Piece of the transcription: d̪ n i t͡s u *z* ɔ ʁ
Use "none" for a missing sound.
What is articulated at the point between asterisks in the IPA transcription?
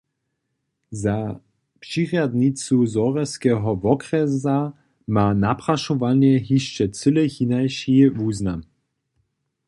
z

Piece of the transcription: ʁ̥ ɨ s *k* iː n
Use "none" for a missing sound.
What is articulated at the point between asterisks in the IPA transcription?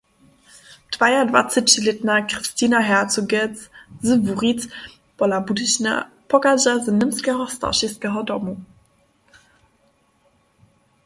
t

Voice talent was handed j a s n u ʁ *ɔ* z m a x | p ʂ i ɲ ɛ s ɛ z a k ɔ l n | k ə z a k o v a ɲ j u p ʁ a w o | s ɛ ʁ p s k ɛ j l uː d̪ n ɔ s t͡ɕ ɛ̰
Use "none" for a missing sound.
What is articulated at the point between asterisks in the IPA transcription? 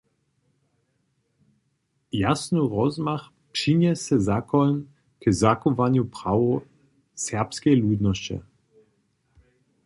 ɔ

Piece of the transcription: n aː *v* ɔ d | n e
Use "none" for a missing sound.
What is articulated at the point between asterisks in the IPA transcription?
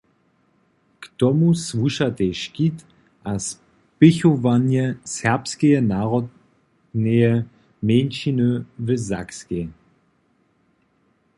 ʁ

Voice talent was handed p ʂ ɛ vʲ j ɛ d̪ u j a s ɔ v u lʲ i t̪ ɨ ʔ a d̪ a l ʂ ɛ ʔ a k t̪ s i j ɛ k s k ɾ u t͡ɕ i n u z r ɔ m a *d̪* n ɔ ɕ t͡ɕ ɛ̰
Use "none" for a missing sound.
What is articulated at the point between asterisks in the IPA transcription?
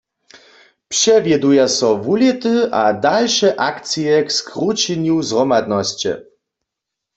d̪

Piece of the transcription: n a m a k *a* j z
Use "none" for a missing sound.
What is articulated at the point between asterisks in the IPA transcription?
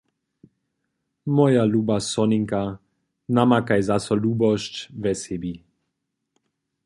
a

